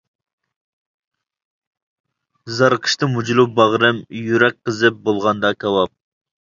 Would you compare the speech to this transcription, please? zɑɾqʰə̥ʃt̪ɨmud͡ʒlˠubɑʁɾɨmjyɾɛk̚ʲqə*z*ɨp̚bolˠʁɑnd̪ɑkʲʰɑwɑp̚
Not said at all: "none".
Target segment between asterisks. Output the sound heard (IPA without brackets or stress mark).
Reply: z